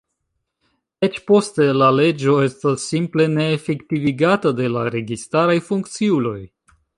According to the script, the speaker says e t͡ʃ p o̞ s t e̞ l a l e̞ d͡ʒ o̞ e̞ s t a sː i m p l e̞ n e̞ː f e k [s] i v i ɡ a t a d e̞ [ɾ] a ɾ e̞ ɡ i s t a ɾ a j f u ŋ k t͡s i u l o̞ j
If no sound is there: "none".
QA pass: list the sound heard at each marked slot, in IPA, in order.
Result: t, l

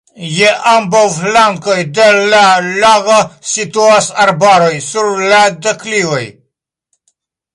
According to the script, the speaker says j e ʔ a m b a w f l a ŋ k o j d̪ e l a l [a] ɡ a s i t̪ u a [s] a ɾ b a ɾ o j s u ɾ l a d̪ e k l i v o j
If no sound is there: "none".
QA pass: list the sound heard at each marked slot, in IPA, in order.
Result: a, s

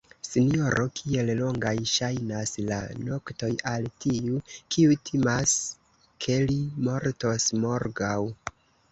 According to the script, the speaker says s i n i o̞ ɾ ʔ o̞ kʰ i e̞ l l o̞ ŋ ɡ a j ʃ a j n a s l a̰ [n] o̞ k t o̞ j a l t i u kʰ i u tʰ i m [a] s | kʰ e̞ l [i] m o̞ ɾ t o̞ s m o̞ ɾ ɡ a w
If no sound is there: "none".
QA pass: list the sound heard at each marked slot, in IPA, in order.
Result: n, a, i

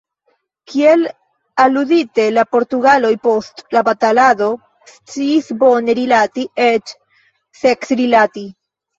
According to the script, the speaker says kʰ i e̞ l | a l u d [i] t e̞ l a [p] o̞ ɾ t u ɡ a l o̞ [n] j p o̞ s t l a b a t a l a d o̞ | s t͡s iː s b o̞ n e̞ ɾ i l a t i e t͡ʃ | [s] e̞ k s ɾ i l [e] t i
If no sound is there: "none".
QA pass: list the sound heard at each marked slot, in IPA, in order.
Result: i, p, none, s, a

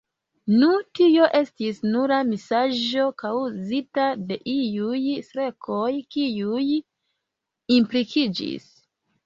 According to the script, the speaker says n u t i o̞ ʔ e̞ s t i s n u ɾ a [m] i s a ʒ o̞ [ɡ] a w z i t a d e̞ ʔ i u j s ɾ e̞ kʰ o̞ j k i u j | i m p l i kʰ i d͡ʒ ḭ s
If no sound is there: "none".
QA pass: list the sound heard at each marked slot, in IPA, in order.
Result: m, k

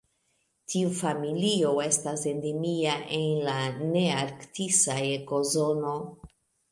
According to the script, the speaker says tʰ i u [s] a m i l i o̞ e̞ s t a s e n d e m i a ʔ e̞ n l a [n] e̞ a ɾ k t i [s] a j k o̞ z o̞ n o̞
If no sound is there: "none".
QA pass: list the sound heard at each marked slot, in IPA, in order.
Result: f, n, s

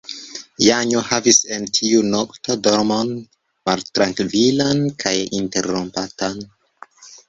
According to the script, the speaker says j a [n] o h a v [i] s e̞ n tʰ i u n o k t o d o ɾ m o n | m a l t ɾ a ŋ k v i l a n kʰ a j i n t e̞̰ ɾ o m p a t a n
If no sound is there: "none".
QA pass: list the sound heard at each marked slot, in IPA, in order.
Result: ɲ, i

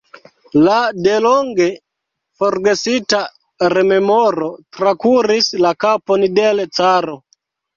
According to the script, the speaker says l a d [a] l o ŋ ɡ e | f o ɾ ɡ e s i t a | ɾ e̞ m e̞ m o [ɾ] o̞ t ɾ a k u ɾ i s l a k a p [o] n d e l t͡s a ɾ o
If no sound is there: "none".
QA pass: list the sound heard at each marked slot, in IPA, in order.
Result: e, ɾ, o

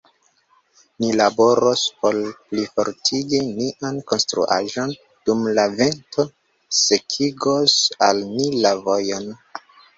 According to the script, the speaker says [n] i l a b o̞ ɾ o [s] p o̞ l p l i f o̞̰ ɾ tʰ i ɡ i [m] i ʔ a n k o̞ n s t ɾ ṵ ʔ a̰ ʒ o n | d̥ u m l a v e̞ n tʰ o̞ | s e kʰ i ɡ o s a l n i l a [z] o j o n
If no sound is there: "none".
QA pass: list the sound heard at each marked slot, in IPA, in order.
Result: n, s, n, v

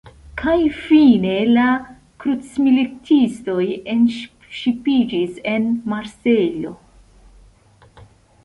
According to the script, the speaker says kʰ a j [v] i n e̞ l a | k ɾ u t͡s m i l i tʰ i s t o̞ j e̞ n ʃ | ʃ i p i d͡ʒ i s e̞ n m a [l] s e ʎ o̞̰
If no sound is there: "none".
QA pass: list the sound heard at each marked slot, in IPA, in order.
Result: f, ɾ

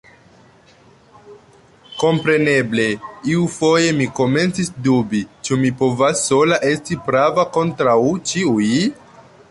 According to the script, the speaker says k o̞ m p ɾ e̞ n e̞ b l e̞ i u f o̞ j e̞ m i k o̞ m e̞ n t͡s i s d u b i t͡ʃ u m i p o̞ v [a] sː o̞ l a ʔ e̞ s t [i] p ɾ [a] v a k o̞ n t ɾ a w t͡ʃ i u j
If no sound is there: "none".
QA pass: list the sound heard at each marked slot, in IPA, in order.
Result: a, i, a

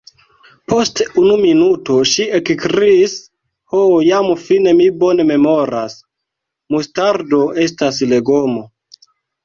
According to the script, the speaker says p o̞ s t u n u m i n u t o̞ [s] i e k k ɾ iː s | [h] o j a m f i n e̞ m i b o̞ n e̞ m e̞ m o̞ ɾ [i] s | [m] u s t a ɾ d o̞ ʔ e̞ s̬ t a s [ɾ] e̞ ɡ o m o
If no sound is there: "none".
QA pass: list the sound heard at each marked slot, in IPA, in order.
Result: ʃ, h, a, m, l

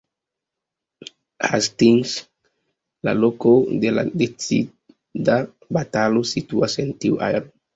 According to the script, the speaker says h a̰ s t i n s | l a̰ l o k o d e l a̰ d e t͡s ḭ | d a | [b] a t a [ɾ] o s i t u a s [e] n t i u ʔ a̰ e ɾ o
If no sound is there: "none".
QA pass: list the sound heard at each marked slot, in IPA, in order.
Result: b, l, e

